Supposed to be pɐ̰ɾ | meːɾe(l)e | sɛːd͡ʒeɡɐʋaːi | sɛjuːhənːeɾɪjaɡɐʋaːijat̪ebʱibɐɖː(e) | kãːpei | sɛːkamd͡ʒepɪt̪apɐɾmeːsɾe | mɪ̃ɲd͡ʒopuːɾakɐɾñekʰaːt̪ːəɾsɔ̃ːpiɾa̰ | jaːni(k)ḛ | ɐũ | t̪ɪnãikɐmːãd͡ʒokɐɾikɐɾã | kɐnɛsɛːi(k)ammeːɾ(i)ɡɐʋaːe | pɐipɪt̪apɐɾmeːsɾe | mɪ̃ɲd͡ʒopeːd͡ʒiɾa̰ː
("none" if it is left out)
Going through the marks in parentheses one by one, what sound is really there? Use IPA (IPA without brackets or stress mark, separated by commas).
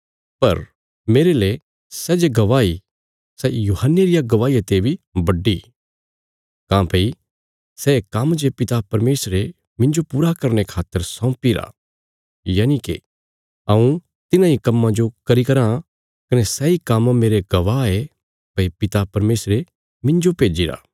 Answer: l, i, k, k, e